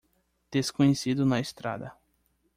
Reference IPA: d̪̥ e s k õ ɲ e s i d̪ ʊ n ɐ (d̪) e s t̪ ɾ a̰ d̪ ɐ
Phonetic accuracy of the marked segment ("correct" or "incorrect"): incorrect